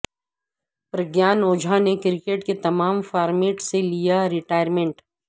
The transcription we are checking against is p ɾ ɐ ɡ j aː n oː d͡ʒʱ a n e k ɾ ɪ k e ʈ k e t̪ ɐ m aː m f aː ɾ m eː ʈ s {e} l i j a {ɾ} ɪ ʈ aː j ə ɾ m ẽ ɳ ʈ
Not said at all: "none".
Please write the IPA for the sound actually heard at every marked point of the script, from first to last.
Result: e, ɾ

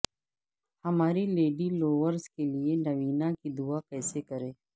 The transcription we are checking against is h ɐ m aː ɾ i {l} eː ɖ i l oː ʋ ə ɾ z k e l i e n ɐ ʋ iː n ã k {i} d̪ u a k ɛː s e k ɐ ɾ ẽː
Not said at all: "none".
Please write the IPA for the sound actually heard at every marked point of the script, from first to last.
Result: l, i

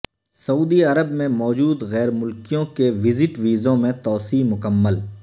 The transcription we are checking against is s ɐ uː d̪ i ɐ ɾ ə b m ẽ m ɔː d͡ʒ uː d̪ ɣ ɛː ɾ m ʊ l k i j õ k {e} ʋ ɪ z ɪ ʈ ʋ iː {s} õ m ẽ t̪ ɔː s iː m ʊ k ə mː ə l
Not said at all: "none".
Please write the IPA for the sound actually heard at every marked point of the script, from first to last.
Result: e, z

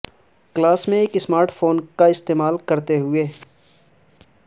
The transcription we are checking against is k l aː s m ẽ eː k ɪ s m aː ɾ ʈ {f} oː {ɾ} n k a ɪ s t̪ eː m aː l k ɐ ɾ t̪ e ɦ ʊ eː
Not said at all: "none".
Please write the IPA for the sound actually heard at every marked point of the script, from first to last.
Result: f, none

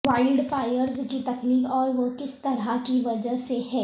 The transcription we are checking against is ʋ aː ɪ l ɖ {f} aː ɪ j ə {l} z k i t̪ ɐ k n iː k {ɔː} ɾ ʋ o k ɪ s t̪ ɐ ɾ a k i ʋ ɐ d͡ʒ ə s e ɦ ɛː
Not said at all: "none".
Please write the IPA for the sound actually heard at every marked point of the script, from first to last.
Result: f, ɾ, ɔː

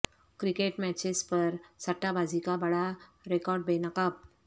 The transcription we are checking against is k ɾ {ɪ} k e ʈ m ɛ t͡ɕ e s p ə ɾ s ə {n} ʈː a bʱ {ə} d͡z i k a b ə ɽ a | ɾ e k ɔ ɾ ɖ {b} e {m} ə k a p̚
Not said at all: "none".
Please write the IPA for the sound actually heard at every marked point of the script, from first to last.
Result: i, none, a, b, n

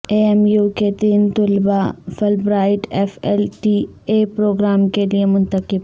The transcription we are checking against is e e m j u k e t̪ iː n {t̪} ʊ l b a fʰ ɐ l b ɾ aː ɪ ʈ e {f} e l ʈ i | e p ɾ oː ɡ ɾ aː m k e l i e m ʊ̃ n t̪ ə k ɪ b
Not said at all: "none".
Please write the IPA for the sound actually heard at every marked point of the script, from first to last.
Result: t̪, f

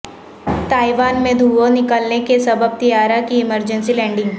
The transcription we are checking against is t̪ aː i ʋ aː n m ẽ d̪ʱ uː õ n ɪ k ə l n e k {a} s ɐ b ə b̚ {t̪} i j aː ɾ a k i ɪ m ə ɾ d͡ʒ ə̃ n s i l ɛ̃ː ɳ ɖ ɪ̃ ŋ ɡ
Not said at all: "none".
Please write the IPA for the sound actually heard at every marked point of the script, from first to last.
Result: e, t̪

